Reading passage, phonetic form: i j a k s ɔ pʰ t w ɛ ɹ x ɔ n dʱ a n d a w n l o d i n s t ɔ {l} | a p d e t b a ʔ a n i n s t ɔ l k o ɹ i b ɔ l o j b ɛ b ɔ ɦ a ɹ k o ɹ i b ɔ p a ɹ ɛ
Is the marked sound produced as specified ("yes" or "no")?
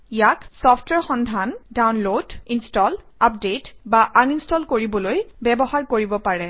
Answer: yes